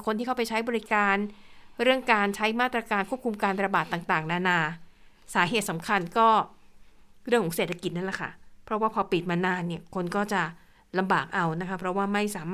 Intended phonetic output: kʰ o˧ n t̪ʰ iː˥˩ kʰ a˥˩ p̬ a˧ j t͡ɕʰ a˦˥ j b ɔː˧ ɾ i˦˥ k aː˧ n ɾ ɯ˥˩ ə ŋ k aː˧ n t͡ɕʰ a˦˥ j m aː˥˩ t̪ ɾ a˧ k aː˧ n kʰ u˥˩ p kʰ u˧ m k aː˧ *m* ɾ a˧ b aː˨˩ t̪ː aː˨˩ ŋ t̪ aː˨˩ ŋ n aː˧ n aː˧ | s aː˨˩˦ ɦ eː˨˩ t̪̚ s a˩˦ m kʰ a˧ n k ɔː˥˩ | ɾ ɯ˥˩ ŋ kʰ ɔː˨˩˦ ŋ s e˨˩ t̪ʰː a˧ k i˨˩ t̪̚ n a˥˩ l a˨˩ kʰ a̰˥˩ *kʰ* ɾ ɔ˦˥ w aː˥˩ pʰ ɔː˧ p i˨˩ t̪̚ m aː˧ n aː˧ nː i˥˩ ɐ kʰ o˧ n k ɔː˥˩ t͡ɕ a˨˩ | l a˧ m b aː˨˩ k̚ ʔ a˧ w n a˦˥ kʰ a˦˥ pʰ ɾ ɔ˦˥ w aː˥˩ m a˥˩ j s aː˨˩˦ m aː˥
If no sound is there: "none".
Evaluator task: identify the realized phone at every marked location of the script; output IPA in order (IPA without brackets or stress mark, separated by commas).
n, pʰ